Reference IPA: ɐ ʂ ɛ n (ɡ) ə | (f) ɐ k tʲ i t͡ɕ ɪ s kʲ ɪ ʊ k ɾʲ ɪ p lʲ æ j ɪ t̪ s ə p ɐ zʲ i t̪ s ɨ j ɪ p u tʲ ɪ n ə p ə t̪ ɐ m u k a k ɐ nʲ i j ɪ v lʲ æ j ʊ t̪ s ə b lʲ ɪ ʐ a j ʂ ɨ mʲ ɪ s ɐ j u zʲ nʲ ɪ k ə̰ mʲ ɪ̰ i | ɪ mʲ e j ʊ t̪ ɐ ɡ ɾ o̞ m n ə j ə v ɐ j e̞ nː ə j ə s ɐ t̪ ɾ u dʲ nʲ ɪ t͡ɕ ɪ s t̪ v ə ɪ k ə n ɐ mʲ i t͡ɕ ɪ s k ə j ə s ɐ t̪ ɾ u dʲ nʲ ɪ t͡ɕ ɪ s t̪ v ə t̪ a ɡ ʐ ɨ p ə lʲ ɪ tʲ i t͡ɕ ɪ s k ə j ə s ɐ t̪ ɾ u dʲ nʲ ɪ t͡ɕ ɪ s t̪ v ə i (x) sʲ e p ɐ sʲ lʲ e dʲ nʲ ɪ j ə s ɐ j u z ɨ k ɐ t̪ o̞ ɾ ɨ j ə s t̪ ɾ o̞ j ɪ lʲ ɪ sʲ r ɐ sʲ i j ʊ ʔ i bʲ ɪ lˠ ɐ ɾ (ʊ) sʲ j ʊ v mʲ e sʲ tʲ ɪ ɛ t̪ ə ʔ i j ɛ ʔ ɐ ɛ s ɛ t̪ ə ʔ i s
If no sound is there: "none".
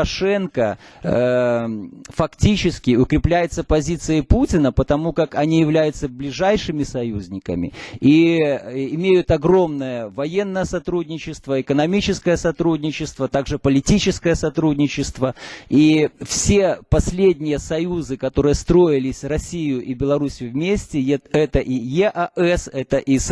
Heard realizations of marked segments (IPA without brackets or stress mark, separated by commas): k, f, f, u